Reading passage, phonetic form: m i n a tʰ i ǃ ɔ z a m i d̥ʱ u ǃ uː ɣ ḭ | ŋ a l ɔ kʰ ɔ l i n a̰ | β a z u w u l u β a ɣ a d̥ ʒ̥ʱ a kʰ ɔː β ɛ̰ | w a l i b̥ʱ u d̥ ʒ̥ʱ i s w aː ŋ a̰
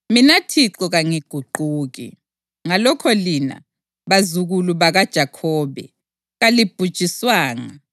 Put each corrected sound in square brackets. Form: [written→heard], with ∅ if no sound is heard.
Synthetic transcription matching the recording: m i n a tʰ i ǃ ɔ [z→ɣ] a [m→ŋ] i [d̥ʱ→ɡ̥ʱ] u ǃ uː ɣ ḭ | ŋ a l ɔ kʰ ɔ l i n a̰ | β a z u [w→ɣ] u l u β a ɣ a d̥ ʒ̥ʱ a kʰ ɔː β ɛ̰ | [w→ɣ] a l i b̥ʱ u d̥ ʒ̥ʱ i s w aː ŋ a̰